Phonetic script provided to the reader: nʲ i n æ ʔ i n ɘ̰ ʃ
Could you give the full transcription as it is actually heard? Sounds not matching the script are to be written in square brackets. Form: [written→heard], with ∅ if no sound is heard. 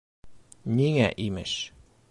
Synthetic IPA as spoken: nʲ i [n→ŋ] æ ʔ i [n→m] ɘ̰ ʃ